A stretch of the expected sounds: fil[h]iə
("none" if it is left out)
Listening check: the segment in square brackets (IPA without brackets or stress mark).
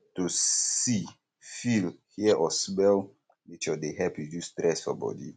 h